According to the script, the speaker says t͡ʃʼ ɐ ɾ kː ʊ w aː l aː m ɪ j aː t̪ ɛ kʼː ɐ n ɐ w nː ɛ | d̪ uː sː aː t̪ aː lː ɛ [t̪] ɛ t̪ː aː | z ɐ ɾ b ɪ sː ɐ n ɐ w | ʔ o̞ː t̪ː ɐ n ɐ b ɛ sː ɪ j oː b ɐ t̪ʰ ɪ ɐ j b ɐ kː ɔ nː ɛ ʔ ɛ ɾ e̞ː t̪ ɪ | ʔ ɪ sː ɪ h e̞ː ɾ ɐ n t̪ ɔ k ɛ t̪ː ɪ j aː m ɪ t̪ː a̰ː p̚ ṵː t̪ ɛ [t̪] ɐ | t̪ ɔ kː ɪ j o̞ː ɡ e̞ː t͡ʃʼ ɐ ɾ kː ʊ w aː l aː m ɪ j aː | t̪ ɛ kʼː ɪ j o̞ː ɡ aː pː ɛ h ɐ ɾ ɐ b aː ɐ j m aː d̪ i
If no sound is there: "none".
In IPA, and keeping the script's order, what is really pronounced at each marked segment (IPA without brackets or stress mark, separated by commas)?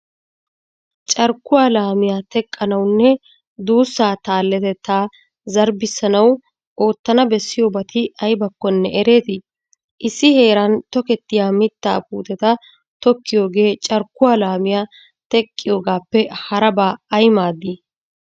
t̪, t̪